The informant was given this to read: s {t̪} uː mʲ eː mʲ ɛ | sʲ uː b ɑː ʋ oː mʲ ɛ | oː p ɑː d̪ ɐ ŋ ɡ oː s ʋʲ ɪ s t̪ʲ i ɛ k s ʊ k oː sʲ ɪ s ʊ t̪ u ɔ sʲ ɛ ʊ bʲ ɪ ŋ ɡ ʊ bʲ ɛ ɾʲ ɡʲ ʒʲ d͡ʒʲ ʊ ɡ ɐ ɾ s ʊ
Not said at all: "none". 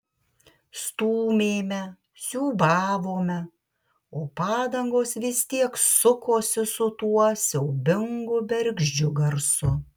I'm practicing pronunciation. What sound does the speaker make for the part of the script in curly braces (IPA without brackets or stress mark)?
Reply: t̪